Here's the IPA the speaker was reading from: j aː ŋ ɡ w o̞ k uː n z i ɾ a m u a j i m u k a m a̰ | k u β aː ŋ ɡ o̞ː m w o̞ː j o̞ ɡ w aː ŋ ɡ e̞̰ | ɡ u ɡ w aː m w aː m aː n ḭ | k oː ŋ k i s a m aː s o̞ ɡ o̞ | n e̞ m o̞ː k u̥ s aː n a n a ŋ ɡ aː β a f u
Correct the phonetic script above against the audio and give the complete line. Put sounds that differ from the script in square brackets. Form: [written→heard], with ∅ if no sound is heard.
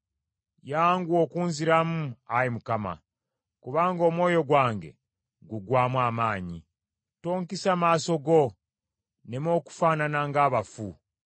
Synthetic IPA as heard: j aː ŋ ɡ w o̞ k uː n z i ɾ a m u a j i m u k a m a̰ | k u β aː ŋ ɡ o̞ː m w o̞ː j o̞ ɡ w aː ŋ ɡ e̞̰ | ɡ u ɡ w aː m w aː m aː [n→ɲ] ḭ | [k→t] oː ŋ k i s a m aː s o̞ ɡ o̞ | n e̞ m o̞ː k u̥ [s→f] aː n a n a ŋ ɡ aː β a f u